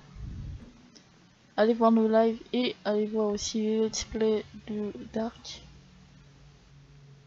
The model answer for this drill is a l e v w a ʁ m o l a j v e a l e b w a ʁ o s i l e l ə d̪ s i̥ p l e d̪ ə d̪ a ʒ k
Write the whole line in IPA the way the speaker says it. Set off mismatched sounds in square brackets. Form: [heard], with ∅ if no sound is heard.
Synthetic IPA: a l e v w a ʁ [n] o l a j v e a l e [v] w a ʁ o s i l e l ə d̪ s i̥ p l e d̪ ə d̪ a [ʁ] k